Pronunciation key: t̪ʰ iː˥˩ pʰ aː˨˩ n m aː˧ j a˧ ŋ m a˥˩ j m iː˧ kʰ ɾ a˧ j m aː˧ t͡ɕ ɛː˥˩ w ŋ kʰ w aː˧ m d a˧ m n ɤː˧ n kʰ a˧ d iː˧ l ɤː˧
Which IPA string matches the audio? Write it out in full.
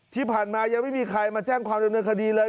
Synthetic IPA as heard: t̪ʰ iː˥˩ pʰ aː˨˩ n m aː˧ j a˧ ŋ m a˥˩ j m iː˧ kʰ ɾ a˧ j m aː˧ t͡ɕ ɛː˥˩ ŋ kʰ w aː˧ m d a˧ m n ɤː˧ n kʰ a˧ d iː˧ l ɤː˧